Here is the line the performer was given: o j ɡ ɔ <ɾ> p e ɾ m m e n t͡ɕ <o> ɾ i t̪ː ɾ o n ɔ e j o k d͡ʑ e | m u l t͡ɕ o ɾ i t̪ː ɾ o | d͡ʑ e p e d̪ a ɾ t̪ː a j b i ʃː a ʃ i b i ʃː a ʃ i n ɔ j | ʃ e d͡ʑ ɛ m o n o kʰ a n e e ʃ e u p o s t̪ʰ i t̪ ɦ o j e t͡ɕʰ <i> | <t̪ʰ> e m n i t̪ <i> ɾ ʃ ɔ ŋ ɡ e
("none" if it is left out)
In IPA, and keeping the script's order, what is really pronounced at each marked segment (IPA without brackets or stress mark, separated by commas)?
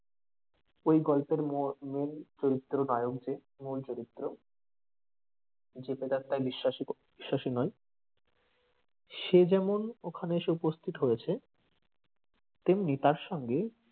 l, o, e, t̪, a